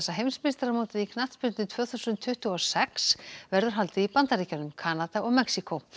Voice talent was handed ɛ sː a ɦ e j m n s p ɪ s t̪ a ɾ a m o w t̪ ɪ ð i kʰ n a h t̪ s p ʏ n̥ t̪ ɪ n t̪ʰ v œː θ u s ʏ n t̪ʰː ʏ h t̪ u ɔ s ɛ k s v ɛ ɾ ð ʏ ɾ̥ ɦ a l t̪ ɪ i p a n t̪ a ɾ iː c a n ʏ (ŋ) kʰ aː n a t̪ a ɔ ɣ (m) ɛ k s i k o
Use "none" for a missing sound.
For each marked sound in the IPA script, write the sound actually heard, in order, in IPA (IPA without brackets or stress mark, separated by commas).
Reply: m, m